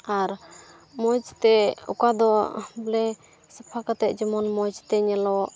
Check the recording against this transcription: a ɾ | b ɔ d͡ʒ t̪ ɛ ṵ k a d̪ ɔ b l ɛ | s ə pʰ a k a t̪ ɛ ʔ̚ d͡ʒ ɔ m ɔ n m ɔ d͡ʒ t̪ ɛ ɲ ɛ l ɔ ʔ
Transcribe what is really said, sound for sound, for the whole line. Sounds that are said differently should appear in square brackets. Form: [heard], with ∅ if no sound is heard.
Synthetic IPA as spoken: a ɾ | [m] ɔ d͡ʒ t̪ ɛ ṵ k a d̪ ɔ b l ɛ | s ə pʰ a k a t̪ ɛ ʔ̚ d͡ʒ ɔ m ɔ n m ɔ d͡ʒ t̪ ɛ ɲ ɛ l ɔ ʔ

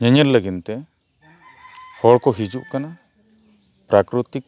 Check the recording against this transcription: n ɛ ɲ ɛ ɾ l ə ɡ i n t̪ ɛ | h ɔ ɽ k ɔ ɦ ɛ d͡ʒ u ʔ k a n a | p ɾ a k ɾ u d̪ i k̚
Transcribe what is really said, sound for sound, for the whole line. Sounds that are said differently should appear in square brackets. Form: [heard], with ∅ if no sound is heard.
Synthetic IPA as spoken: [ɲ] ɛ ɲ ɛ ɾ l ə ɡ i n t̪ ɛ | h ɔ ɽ k ɔ ɦ [i] d͡ʒ u ʔ k a n a | p ɾ a k ɾ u [t̪] i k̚

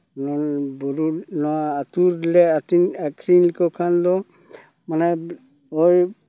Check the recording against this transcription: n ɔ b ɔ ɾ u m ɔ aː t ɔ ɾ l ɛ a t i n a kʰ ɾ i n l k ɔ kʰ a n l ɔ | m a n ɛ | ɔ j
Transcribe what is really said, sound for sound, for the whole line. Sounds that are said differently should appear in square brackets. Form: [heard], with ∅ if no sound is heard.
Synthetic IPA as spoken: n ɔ b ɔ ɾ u [n] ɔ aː t [u] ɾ l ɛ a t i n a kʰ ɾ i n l k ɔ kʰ a n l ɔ | m a n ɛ | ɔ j

